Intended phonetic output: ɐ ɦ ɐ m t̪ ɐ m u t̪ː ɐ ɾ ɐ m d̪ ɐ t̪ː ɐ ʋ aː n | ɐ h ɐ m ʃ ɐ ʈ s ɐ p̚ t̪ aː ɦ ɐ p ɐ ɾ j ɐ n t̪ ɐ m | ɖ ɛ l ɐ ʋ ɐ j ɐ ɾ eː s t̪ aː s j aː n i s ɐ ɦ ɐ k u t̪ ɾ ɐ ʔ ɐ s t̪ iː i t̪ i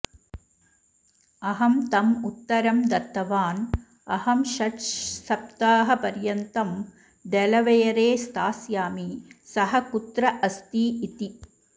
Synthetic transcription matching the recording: ɐ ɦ ɐ m t̪ ɐ m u t̪ː ɐ ɾ ɐ m d̪ ɐ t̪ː ɐ ʋ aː n | ɐ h ɐ m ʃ ɐ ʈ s ɐ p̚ t̪ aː ɦ ɐ p ɐ ɾ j ɐ n t̪ ɐ m | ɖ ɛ l ɐ ʋ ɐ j ɐ ɾ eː s t̪ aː s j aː m i s ɐ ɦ ɐ k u t̪ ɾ ɐ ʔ ɐ s t̪ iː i t̪ i

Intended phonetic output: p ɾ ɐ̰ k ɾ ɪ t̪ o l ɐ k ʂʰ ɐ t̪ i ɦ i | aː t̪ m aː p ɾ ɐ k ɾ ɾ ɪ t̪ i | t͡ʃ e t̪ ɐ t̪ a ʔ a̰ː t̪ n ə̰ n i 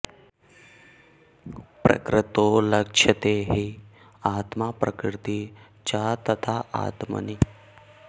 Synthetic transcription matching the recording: p ɾ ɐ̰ k ɾ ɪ t̪ o l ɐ k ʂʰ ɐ t̪ e ɦ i | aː t̪ m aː p ɾ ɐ k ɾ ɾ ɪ t̪ i | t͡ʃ a t̪ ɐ t̪ʰ a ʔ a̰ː t̪ m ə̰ n i

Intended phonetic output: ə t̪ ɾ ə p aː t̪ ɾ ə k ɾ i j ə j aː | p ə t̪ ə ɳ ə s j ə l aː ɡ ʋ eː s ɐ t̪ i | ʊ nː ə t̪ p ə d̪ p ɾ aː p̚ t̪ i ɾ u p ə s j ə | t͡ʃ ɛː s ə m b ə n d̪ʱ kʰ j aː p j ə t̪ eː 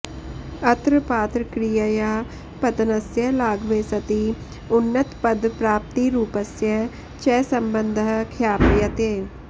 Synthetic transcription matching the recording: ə t̪ ɾ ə p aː t̪ ɾ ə k ɾ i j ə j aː | p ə t̪ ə n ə s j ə l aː ɡ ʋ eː s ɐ t̪ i | ʊ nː ə t̪ p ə d̪ p ɾ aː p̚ t̪ i ɾ uː p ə s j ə | t͡ʃ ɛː s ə m b ə n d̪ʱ kʰ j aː p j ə t̪ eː

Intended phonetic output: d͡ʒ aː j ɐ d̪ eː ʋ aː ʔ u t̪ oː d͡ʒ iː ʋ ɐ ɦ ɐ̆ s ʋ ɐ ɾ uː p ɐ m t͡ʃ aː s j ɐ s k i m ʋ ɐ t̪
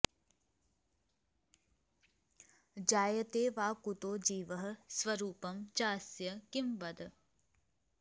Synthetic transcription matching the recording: d͡ʒ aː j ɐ t̪ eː ʋ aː k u t̪ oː d͡ʒ iː ʋ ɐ ɦ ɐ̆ s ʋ ɐ ɾ uː p ɐ m t͡ʃ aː s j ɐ k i m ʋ ɐ d̪

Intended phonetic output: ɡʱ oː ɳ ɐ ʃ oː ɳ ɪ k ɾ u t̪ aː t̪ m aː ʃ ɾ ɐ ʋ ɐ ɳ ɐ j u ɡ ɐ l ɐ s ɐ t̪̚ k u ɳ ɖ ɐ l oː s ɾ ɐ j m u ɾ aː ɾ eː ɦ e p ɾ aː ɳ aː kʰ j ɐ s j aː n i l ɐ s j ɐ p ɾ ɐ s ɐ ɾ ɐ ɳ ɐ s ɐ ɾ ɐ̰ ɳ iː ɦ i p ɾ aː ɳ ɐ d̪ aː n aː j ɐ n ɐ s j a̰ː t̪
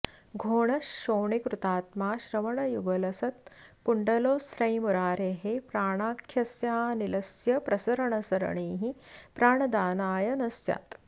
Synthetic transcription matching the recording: ɡʱ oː ɳ ɐ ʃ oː ɳ i k ɾ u t̪ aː t̪ m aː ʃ ɾ ɐ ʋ ɐ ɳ ɐ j u ɡ ɐ l ɐ s ɐ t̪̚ k u ɳ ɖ ɐ l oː s ɾ ɐ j m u ɾ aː ɾ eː ɦ e p ɾ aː ɳ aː kʰ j ɐ s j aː n i l ɐ s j ɐ p ɾ ɐ s ɐ ɾ ɐ ɳ ɐ s ɐ ɾ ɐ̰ ɳ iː ɦ i p ɾ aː ɳ ɐ d̪ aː n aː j ɐ n ɐ s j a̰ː t̪

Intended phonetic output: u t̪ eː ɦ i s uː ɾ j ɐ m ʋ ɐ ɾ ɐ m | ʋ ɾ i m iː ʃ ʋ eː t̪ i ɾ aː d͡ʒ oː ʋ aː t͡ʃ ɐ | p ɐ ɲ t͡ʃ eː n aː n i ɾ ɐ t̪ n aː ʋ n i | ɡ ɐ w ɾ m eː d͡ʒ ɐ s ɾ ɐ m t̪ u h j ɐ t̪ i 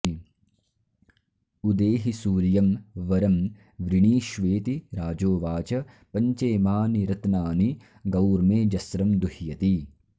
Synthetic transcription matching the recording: u d̪ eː ɦ i s uː ɾ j ɐ m ʋ ɐ ɾ ɐ m | ʋ ɾ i ɳ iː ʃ ʋ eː t̪ i ɾ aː d͡ʒ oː ʋ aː t͡ʃ ɐ | p ɐ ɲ t͡ʃ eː m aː n i ɾ ɐ t̪ n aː n i | ɡ ɐ w ɾ m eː d͡ʒ ɐ s ɾ ɐ m d̪ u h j ɐ t̪ i

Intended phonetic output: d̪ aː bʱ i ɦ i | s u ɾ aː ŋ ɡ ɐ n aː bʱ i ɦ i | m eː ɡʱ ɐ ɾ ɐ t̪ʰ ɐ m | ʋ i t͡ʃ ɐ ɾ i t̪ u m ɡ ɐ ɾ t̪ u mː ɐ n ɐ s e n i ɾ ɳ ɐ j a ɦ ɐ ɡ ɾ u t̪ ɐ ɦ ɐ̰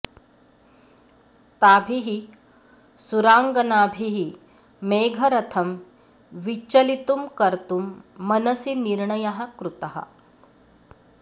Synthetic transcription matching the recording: t̪ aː bʱ i ɦ i | s u ɾ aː ŋ ɡ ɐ n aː bʱ i ɦ i | m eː ɡʱ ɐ ɾ ɐ t̪ʰ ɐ m | ʋ i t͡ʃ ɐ l i t̪ u m k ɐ ɾ t̪ u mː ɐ n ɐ s i n i ɾ ɳ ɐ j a ɦ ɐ k ɾ u t̪ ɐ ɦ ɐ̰

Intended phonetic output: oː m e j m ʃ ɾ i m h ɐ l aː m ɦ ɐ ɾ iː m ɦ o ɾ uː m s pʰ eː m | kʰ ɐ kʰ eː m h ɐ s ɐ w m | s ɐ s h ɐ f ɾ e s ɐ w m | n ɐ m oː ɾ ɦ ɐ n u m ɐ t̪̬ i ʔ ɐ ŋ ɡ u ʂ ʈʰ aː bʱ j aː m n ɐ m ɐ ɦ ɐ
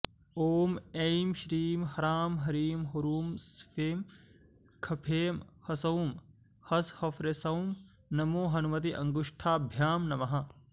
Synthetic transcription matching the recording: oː m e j m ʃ ɾ iː m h ɐ ɾ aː m ɦ ɐ ɾ iː m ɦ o ɾ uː m s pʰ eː m | kʰ ɐ pʰ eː m h ɐ s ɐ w m | h ɐ s h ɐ f ɾ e s ɐ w m | n ɐ m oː ɦ ɐ n u m ɐ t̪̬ i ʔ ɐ ŋ ɡ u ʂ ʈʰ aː bʱ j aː m n ɐ m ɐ ɦ ɐ

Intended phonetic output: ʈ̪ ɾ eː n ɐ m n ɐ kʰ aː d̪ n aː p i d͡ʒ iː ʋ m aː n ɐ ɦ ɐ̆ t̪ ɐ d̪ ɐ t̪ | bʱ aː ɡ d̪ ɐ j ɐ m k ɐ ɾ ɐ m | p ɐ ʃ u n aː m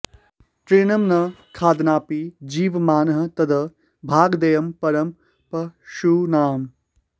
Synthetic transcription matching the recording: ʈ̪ ɾ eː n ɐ m n ɐ kʰ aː d̪ n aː p i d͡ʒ iː ʋ m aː n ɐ ɦ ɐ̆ t̪ ɐ d̪ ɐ | bʱ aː ɡ d̪ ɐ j ɐ m p ɐ ɾ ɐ m | p ɐ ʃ u n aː m

